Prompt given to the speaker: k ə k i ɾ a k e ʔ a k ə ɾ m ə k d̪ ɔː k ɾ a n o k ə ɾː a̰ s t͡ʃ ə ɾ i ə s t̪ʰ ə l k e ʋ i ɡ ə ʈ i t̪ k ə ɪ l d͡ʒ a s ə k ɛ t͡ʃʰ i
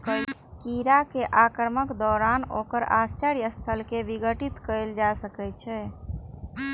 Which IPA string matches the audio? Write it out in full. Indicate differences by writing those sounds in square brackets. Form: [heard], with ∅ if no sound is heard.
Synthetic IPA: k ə k i ɾ a k e ʔ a k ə ɾ m ə k d̪ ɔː [∅] ɾ a n o k ə [ɾ] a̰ s t͡ʃ ə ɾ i ə s t̪ʰ ə l k e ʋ i ɡ ə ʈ i t̪ k ə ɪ l d͡ʒ a s ə k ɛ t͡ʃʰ [ɛ]